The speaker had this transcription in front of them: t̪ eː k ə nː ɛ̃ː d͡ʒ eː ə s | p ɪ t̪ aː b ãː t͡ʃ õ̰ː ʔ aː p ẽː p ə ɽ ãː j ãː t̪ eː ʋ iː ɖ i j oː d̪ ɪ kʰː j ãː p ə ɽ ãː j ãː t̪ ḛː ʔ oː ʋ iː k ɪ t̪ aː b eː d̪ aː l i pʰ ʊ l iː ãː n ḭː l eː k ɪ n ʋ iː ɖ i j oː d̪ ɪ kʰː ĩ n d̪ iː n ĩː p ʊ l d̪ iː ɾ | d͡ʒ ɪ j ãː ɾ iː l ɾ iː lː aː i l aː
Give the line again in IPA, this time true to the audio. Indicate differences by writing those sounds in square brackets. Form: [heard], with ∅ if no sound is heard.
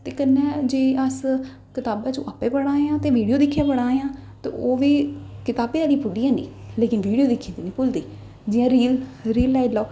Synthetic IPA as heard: t̪ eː k ə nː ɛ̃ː d͡ʒ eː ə s | [k] ɪ t̪ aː b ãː t͡ʃ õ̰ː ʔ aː p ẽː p ə ɽ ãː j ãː t̪ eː ʋ iː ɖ i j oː d̪ ɪ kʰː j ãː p ə ɽ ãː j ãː t̪ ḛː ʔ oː ʋ iː k ɪ t̪ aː b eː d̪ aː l i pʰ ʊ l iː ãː n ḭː l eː k ɪ n ʋ iː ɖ i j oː d̪ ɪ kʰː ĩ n d̪ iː n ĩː p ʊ l d̪ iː [∅] | d͡ʒ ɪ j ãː ɾ iː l ɾ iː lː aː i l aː